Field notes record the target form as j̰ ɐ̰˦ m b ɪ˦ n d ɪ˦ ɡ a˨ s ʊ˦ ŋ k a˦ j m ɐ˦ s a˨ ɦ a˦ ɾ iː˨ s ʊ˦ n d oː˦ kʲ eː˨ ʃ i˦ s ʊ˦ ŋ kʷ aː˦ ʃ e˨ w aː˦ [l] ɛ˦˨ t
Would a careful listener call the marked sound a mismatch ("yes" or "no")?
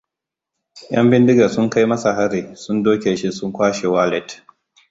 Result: no